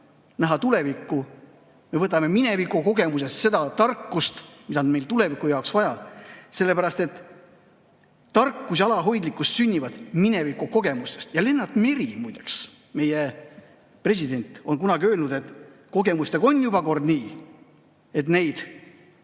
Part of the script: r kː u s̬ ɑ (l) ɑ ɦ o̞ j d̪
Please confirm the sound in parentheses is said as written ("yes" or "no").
yes